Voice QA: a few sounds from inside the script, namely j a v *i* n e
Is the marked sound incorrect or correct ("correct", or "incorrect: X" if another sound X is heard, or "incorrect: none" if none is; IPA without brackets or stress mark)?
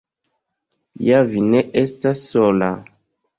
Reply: correct